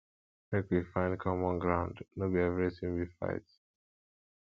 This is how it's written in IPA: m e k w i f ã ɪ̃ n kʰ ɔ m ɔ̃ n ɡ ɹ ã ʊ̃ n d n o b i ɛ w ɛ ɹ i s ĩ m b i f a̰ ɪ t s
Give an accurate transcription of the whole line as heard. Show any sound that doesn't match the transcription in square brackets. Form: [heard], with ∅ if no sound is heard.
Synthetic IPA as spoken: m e k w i f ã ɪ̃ n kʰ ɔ m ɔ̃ n ɡ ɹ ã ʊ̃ n d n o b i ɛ [v] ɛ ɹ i s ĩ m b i f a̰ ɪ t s